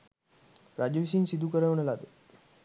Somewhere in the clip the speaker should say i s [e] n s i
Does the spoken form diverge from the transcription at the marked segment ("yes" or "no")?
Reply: yes